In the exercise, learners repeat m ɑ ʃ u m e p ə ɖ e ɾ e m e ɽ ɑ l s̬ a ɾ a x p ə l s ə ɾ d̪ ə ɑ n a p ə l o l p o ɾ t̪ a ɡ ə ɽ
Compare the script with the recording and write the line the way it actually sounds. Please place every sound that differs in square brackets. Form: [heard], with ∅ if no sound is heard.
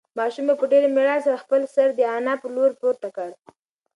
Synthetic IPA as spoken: m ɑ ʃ u m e p ə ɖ e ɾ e m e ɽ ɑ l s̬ a ɾ a x p ə l s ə ɾ d̪ ə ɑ n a p ə l o [ɾ] p o ɾ t̪ a [k] ə ɽ